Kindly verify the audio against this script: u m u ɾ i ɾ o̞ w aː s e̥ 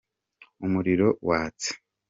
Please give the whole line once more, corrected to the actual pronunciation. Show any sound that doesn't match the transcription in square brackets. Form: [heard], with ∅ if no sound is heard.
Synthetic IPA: u m u ɾ i ɾ o̞ w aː [t͡s] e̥